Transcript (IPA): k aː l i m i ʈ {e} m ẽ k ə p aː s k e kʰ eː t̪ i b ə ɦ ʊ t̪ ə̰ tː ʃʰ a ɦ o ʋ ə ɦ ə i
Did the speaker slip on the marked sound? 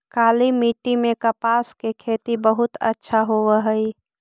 yes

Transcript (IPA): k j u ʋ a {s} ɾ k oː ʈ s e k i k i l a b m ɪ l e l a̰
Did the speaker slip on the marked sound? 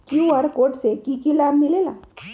yes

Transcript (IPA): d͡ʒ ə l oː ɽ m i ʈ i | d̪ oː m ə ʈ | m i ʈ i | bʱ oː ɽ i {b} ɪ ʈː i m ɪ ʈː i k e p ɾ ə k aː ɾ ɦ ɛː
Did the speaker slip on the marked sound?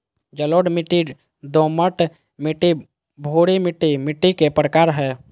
yes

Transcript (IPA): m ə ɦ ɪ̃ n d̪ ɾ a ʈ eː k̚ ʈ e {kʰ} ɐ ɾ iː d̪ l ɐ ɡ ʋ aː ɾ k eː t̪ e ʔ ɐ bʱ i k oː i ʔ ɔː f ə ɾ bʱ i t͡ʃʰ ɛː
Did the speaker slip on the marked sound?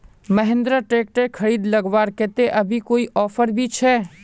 no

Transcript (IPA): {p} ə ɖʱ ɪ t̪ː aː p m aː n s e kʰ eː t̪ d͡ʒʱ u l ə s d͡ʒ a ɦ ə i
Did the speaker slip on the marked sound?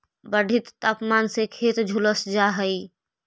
yes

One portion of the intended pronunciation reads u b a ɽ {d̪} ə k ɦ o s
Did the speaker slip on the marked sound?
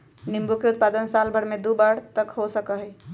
yes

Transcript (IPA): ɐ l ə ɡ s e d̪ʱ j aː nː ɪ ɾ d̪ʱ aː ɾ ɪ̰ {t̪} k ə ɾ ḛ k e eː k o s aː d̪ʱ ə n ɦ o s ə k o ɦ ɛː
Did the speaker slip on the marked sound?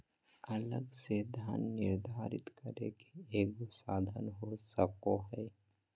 no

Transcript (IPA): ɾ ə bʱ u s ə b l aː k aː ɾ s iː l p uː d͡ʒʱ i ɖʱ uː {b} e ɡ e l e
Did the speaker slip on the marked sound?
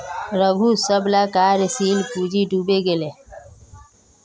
no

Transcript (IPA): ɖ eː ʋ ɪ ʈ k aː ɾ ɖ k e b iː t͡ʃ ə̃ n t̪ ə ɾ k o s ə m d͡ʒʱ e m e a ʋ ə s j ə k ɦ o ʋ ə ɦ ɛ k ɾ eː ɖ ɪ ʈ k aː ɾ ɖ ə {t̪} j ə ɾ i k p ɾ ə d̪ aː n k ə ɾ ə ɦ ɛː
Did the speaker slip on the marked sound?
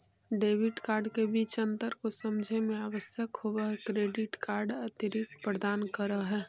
no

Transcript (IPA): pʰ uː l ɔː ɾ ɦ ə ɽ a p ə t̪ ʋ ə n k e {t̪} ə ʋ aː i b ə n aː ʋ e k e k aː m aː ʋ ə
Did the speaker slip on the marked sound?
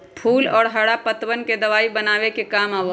yes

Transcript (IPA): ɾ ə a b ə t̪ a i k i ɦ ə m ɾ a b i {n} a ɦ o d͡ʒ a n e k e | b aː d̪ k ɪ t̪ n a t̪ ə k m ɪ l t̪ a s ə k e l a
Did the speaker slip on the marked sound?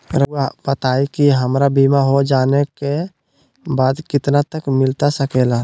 yes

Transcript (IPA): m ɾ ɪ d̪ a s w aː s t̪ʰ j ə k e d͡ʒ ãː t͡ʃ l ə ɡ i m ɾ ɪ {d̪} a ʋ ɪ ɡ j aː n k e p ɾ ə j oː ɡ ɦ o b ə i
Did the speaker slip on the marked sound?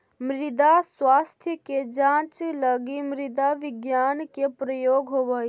no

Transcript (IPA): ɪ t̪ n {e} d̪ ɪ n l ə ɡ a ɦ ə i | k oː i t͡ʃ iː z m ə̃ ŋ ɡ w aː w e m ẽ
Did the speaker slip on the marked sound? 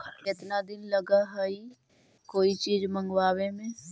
yes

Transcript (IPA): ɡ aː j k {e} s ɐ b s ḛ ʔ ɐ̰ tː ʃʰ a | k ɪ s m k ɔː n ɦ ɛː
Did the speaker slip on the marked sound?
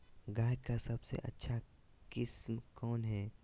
yes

